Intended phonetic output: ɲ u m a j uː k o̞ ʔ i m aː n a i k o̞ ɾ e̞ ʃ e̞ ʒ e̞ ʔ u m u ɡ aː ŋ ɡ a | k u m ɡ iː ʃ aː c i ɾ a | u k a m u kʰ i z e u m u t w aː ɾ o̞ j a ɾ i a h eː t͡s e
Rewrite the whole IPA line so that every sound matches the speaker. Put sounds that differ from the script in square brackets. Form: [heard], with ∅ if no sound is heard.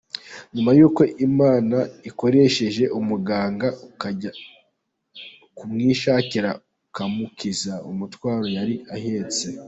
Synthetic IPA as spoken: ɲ u m a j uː k o̞ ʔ i m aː n a i k o̞ ɾ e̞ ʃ e̞ ʒ e̞ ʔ u m u ɡ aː ŋ ɡ a | k u m [ŋ] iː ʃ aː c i ɾ a | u k a m u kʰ i z [a] u m u t w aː ɾ o̞ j a ɾ i a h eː t͡s e

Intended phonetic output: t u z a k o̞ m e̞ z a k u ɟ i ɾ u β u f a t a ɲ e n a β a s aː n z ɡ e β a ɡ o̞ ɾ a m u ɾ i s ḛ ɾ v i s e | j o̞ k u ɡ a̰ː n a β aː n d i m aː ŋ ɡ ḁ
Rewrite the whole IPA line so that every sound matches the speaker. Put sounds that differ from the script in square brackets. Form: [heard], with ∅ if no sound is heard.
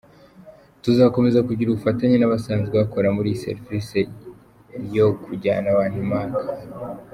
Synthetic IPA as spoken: t u z a k o̞ m e̞ z a k u ɟ i ɾ u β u f a t a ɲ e n a β a s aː n z ɡ e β a [k] o̞ ɾ a m u ɾ i s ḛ ɾ v i s e | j o̞ k u [ɟ] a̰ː n a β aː n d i m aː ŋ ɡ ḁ

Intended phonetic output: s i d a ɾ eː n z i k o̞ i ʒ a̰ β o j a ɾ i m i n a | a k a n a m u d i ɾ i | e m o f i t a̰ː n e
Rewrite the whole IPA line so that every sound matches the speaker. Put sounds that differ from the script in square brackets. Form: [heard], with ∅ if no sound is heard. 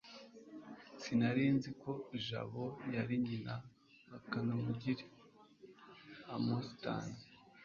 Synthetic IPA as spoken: s i [n] a ɾ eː n z i k o̞ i ʒ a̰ β o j a ɾ i [ɲ] i n a | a k a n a m u [ɟ] i ɾ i | [a] m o [s] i t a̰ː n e

